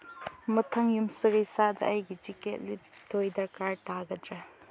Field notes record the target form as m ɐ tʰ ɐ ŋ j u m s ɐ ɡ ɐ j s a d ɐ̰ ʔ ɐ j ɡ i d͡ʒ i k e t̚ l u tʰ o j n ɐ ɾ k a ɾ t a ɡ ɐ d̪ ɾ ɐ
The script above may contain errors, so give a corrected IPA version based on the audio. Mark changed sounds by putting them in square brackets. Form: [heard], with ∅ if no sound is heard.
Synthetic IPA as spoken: m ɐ tʰ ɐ ŋ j u m s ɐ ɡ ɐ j s a d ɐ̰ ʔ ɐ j ɡ i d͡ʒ i k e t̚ l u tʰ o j [d] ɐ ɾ k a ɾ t a ɡ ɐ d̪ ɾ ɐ